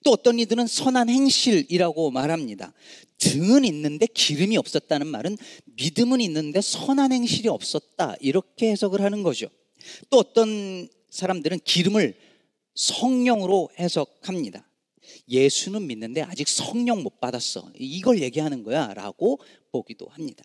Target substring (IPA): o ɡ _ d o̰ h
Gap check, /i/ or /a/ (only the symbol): i